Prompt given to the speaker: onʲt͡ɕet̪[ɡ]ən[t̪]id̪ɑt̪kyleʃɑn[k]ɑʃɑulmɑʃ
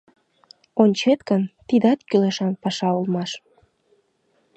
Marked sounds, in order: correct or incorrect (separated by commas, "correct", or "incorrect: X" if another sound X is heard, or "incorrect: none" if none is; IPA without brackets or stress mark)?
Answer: incorrect: k, correct, incorrect: p